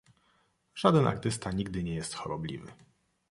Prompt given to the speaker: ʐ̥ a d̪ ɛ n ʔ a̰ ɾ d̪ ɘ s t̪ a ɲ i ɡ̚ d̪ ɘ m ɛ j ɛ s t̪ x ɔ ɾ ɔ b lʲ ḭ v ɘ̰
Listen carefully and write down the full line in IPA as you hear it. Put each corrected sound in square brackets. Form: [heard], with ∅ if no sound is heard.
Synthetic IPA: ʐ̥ a d̪ ɛ n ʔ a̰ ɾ [t̪] ɘ s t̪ a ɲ i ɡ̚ d̪ ɘ [ɲ] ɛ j ɛ s t̪ x ɔ ɾ ɔ b lʲ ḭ v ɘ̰

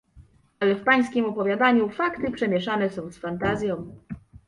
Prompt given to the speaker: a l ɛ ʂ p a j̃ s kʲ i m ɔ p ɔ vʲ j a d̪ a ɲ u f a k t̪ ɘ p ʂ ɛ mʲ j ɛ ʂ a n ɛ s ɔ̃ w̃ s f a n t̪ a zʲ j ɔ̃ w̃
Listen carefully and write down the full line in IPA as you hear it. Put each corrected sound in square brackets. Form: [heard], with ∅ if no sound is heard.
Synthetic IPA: a l ɛ [f] p a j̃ s kʲ i m ɔ p ɔ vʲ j a d̪ a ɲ u f a k t̪ ɘ p ʂ ɛ mʲ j ɛ ʂ a n ɛ s ɔ̃ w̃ s f a n t̪ a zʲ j ɔ̃ w̃

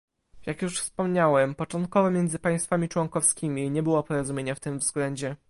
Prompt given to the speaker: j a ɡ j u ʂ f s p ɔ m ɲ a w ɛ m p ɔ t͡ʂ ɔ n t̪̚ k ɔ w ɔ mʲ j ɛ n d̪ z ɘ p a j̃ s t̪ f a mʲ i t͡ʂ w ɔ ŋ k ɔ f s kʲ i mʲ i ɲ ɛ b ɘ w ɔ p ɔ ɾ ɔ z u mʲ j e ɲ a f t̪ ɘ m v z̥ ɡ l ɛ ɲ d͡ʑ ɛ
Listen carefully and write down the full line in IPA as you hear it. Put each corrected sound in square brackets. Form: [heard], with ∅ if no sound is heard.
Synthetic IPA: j a [k] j u ʂ f s p ɔ m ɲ a w ɛ m p ɔ t͡ʂ ɔ n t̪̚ k ɔ [v] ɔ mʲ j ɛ n d̪ z ɘ p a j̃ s t̪ f a mʲ i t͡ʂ w ɔ ŋ k ɔ f s kʲ i mʲ i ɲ ɛ b ɘ w ɔ p ɔ ɾ ɔ z u mʲ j e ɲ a f t̪ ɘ m v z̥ ɡ l ɛ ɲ d͡ʑ ɛ

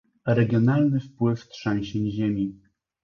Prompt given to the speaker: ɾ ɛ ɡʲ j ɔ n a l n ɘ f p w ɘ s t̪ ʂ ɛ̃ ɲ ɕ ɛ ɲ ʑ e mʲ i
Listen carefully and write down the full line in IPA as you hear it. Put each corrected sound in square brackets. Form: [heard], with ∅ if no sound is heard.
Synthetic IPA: ɾ ɛ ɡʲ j ɔ n a l n ɘ f p w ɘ [f] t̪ ʂ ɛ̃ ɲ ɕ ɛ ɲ ʑ e mʲ i

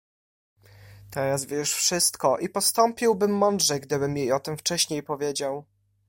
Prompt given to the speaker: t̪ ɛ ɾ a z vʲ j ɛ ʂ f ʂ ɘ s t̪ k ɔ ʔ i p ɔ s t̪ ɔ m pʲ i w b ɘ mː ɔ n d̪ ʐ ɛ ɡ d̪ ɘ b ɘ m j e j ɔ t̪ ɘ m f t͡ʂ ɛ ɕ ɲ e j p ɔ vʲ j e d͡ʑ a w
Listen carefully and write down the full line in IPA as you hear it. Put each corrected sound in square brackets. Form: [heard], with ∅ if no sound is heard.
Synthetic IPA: t̪ ɛ ɾ a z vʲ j ɛ ʂ f ʂ ɘ s t̪ k ɔ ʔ i p ɔ s t̪ ɔ m pʲ i w b ɘ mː ɔ n d̪ ʐ ɛ ɡ d̪ ɘ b ɘ m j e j ɔ t̪ ɘ m f t͡ʂ ɛ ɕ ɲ e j p ɔ vʲ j e d͡ʑ a w

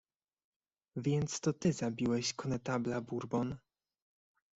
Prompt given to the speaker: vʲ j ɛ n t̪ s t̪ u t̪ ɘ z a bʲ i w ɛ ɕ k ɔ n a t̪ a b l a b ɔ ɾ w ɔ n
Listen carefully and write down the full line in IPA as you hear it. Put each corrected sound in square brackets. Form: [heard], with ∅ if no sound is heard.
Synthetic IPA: vʲ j ɛ n t̪ s t̪ [ɔ] t̪ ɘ z a bʲ i w ɛ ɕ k ɔ n [ɛ] t̪ a b l a b [u] ɾ [b] ɔ n

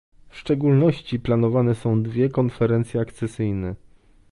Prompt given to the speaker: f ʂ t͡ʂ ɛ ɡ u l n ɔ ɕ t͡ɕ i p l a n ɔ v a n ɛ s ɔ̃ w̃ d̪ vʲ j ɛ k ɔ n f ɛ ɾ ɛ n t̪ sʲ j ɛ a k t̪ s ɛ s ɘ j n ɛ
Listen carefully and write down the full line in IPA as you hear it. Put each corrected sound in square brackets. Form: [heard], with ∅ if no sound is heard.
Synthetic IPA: f ʂ t͡ʂ ɛ ɡ u l n ɔ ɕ t͡ɕ i p l a n ɔ v a n ɛ s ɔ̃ w̃ d̪ vʲ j ɛ k ɔ n f ɛ ɾ ɛ n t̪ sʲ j ɛ a k t̪ s ɛ s ɘ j n ɛ

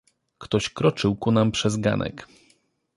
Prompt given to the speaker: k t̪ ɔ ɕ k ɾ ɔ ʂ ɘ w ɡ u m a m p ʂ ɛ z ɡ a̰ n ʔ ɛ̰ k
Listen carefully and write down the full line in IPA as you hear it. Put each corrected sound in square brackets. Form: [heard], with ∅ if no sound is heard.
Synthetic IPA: k t̪ ɔ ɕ k ɾ ɔ [t͡ʂ] ɘ w [k] u [n] a m p ʂ ɛ z ɡ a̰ n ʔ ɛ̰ k

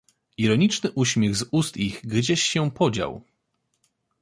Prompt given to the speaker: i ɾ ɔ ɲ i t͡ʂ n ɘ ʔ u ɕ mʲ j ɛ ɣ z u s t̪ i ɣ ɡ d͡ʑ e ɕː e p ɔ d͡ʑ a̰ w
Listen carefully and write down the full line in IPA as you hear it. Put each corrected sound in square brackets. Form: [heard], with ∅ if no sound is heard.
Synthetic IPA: i ɾ ɔ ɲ i t͡ʂ n ɘ ʔ u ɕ mʲ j ɛ ɣ z u s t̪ i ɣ ɡ d͡ʑ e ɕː [ɛ] p ɔ d͡ʑ a̰ w

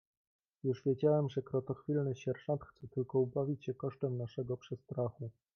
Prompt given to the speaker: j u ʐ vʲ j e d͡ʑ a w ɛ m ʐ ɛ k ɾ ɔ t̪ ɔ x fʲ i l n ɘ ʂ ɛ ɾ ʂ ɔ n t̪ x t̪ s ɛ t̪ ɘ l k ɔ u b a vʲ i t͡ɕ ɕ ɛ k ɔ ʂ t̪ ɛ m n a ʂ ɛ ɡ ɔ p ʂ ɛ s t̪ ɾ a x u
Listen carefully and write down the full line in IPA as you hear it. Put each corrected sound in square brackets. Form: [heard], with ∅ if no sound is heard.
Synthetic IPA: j u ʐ vʲ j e d͡ʑ a w ɛ m ʐ ɛ k ɾ ɔ t̪ ɔ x fʲ i l n ɘ [ɕ] ɛ ɾ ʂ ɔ n t̪ x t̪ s ɛ t̪ ɘ l k ɔ u b a vʲ i t͡ɕ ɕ ɛ k ɔ ʂ t̪ ɛ m n a ʂ ɛ ɡ ɔ p ʂ ɛ s t̪ ɾ a x u

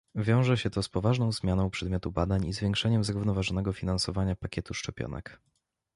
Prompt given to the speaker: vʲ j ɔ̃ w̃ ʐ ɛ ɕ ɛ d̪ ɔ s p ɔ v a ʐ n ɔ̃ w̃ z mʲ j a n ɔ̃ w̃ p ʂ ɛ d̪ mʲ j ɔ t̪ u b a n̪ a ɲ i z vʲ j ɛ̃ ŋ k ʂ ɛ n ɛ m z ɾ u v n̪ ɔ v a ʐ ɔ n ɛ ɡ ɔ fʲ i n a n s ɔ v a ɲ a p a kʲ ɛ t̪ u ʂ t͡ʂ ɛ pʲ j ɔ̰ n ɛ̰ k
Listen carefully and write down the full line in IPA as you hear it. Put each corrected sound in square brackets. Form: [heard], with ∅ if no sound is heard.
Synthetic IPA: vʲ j ɔ̃ w̃ ʐ ɛ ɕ ɛ [t̪] ɔ s p ɔ v a ʐ n ɔ̃ w̃ z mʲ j a n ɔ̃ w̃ p ʂ ɛ d̪ mʲ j ɔ t̪ u b a [d̪] a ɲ i z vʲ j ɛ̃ ŋ k ʂ ɛ [ɲ] ɛ m z ɾ u v n̪ ɔ v a ʐ ɔ n ɛ ɡ ɔ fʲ i n a n s ɔ v a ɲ a p a kʲ ɛ t̪ u ʂ t͡ʂ ɛ pʲ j ɔ̰ n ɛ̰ k

